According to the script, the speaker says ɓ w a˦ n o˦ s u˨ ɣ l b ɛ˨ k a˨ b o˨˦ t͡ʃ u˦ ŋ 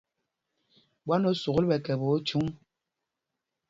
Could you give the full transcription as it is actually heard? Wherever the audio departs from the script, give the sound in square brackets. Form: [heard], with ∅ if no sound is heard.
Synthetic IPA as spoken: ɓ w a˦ n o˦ s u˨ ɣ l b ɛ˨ k [ɛ˨] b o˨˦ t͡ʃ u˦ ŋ